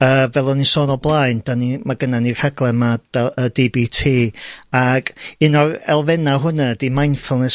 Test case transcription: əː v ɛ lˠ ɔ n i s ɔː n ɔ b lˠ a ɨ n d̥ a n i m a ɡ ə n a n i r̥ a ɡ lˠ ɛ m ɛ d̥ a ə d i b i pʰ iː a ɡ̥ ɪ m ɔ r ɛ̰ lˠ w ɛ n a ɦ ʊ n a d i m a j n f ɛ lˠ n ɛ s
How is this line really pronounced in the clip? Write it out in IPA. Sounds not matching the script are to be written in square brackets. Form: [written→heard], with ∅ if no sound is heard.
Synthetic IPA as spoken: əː v ɛ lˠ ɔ n i s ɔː n ɔ b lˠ a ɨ n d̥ a n i m a ɡ ə n a n i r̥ a ɡ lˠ ɛ m [ɛ→a] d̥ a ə d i b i [pʰ→tʰ] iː a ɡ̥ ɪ [m→n] ɔ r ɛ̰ lˠ [w→v] ɛ n a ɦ ʊ n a d i m a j n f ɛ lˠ n ɛ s